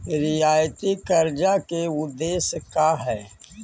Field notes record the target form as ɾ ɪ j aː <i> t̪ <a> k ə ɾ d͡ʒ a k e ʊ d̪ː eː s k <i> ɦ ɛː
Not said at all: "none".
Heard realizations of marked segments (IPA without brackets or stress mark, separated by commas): j, i, a